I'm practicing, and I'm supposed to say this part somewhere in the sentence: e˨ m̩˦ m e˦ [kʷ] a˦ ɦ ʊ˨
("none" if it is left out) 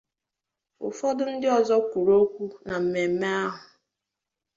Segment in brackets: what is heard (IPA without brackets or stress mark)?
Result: none